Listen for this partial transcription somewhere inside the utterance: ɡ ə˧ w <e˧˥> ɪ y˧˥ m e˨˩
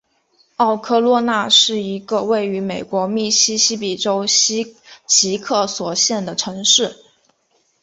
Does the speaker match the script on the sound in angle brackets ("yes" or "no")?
no